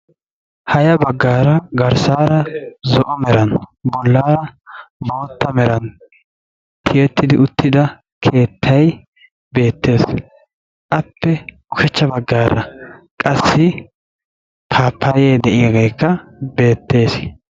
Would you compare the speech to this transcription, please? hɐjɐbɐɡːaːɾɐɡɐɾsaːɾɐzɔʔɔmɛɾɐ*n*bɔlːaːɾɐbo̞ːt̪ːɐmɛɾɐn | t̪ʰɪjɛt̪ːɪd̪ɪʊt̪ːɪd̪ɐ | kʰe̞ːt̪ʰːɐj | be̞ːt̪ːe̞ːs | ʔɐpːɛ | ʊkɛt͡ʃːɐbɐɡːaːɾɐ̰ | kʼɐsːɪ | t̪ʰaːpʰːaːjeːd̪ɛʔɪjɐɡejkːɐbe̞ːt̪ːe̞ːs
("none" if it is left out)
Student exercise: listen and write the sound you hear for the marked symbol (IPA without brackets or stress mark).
n